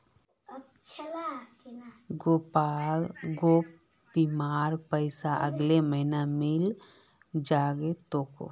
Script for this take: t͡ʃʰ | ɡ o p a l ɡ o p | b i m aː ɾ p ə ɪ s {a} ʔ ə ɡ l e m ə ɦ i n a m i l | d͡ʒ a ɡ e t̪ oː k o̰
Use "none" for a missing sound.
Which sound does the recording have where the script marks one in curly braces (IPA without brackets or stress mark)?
a